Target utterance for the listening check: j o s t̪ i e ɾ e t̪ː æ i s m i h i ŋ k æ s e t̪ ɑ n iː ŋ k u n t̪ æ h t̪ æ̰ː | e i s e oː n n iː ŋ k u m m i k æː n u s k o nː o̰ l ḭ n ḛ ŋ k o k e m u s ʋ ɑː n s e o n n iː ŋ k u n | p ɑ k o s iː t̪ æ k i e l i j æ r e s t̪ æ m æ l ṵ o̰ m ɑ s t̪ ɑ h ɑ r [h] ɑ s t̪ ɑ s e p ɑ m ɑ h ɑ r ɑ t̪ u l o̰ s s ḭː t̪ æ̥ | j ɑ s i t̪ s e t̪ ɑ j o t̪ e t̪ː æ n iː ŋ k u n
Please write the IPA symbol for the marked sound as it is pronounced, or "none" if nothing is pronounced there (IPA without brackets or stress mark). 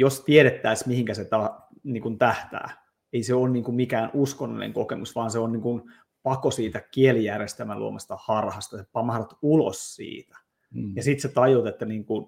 h